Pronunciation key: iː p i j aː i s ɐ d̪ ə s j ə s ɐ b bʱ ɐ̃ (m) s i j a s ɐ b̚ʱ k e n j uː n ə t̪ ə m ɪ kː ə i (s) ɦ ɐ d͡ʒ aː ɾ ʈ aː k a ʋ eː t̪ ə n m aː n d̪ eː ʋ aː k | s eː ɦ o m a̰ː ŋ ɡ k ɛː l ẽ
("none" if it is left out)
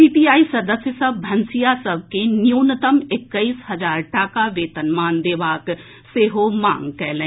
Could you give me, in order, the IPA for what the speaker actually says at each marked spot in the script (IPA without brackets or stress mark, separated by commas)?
n, s